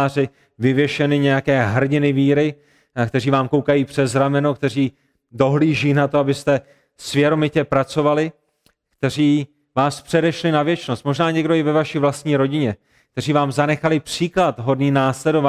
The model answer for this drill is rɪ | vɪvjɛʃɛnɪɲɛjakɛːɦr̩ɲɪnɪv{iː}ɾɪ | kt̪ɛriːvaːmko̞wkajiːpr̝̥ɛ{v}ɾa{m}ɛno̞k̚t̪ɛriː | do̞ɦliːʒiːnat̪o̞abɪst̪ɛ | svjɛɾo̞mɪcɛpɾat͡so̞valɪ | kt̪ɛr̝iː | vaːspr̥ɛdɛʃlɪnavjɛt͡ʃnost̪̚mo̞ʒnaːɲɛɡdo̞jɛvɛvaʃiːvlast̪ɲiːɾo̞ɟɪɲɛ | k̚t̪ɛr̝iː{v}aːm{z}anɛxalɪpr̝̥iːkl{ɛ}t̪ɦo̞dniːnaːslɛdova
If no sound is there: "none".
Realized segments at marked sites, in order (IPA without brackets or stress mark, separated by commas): iː, z, m, v, z, a